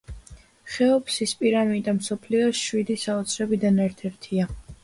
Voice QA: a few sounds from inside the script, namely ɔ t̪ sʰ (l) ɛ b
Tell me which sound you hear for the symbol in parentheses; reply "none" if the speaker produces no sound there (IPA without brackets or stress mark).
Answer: ɾ